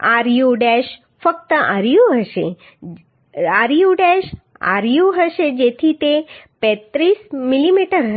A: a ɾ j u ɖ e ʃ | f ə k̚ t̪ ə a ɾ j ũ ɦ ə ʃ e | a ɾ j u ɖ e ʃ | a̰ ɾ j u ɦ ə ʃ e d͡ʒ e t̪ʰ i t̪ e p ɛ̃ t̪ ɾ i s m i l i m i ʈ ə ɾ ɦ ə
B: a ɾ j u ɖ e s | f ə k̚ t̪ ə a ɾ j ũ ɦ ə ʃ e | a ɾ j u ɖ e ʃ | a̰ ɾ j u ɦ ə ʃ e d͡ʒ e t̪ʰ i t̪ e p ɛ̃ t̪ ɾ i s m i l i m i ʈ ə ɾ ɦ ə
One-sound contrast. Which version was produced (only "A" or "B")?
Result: A